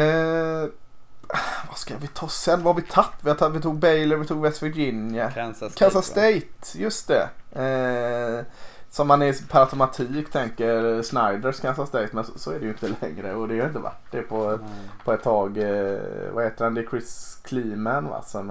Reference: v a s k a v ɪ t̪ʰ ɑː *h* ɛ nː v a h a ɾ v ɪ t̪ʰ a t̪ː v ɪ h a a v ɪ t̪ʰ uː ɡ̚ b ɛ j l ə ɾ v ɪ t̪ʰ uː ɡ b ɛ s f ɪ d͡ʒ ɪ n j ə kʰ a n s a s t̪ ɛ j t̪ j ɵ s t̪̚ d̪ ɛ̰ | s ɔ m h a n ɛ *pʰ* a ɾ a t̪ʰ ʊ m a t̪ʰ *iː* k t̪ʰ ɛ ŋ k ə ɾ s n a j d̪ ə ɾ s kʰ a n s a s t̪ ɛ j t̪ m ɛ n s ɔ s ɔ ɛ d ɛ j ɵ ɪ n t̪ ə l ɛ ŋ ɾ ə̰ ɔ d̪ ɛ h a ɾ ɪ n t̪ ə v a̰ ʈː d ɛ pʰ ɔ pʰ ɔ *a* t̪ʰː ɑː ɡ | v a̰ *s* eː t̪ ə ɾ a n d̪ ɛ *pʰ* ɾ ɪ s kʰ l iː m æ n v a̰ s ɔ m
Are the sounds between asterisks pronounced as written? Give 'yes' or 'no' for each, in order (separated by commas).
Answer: no, yes, yes, no, no, no